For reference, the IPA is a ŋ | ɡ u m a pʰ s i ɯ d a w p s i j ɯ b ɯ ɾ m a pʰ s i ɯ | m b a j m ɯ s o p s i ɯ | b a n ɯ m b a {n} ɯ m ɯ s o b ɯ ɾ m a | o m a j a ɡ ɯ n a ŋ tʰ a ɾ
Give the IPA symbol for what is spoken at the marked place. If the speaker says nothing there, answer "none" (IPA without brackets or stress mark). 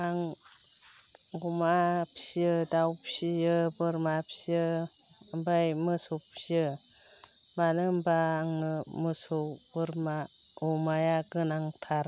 ŋ